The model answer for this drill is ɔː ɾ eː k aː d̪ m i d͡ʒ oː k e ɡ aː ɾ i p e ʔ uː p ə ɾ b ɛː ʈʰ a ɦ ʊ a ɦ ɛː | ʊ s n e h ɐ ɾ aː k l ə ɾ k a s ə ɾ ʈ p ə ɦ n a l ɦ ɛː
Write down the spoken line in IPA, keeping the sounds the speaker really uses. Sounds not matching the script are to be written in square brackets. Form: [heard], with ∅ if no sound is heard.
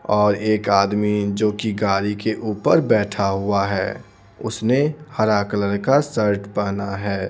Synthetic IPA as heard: ɔː ɾ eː k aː d̪ m i d͡ʒ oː k [i] ɡ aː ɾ i [k] e ʔ uː p ə ɾ b ɛː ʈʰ a ɦ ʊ a ɦ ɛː | ʊ s n e h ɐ ɾ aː k l ə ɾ k a s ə ɾ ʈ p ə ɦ n a [∅] ɦ ɛː